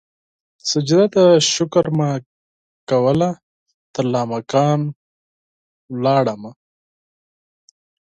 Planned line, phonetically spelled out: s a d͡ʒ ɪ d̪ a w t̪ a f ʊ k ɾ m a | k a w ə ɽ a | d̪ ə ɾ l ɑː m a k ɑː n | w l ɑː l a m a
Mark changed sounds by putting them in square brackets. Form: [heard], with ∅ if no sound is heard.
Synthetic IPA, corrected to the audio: s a d͡ʒ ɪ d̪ a [∅] t̪ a [ʃ] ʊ k ɾ m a | k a w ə [l] a | [t̪] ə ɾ l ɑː m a k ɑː n | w l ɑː [ɽ] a m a